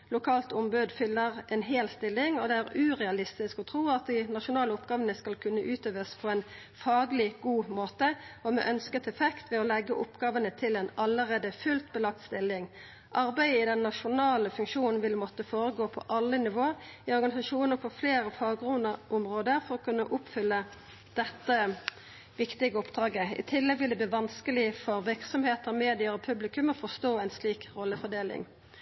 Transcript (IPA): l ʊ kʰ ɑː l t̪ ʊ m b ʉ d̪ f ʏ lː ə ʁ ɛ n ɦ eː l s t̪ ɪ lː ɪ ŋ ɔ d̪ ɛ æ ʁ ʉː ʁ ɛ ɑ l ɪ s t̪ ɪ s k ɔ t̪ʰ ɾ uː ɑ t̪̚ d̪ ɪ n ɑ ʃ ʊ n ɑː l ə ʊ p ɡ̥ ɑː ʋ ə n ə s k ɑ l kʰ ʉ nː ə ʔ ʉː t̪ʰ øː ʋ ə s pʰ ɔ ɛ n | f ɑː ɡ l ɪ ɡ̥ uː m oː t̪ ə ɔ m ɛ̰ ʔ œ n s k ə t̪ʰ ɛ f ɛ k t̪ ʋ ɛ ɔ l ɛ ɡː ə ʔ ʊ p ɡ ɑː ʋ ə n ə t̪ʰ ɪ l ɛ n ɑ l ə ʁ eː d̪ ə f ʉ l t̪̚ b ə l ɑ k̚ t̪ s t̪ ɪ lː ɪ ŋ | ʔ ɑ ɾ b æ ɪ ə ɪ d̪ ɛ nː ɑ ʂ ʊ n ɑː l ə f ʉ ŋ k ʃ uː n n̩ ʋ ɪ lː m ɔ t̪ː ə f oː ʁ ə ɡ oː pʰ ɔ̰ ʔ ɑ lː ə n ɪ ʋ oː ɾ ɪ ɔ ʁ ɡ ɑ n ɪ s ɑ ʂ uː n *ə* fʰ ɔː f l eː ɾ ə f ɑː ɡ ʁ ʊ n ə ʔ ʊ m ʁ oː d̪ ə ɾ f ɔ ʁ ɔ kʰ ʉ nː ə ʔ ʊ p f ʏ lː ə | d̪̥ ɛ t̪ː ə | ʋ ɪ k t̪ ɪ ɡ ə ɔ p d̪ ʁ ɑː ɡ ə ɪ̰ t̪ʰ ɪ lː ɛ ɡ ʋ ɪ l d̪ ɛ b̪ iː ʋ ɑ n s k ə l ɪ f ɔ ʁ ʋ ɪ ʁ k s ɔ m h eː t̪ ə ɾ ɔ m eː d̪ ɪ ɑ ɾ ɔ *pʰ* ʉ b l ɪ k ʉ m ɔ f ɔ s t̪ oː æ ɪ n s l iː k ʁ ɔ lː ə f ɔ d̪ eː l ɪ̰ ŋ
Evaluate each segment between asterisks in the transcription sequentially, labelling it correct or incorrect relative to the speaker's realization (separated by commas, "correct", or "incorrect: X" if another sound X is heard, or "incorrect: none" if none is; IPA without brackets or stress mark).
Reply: correct, correct